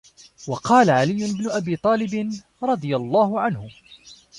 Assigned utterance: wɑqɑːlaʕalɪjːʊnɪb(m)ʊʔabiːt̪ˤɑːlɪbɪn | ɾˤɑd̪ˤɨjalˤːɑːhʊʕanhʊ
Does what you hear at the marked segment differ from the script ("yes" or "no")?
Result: yes